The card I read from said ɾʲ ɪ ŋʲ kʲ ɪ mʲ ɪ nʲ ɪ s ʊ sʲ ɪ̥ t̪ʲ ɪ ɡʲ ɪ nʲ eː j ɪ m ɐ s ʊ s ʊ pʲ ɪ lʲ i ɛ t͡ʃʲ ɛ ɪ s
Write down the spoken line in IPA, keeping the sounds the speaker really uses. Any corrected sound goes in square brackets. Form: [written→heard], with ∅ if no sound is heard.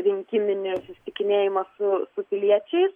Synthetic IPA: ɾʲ ɪ ŋʲ kʲ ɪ mʲ ɪ nʲ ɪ s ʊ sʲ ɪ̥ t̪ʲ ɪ [ɡʲ→kʲ] ɪ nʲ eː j ɪ m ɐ s ʊ s ʊ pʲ ɪ lʲ i ɛ t͡ʃʲ ɛ ɪ s